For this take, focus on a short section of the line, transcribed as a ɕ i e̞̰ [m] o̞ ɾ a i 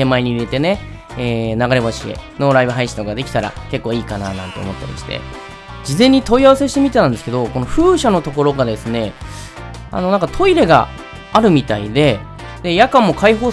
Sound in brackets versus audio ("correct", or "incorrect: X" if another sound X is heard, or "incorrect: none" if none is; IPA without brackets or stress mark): incorrect: n